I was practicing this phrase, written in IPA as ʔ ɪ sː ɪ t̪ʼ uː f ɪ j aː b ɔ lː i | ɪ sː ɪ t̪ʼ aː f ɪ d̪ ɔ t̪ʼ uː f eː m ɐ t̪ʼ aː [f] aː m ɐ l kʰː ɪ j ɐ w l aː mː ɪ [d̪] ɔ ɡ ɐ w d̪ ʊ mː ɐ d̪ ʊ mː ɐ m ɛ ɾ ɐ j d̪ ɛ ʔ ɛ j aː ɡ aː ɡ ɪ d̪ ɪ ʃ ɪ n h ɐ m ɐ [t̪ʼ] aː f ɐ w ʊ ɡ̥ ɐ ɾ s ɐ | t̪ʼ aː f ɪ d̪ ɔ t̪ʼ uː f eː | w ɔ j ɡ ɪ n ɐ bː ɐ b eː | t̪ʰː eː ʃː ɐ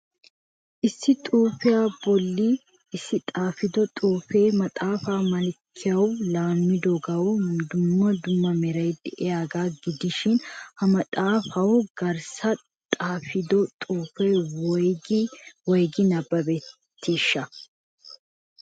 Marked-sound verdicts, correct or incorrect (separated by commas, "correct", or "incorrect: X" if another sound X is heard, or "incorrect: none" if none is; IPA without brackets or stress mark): correct, correct, correct